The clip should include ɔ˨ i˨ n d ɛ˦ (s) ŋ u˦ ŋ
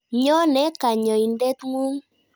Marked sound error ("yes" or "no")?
yes